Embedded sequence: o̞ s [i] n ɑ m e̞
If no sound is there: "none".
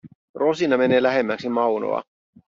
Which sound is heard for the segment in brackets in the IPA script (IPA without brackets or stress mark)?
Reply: i